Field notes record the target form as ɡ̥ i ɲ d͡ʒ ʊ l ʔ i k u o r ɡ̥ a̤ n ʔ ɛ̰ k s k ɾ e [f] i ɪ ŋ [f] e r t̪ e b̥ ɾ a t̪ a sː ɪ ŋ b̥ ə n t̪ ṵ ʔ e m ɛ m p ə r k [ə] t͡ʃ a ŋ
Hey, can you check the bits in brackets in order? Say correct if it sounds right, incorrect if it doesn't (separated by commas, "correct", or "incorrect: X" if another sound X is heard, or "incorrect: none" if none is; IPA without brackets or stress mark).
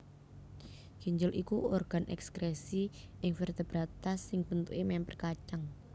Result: incorrect: s, correct, incorrect: a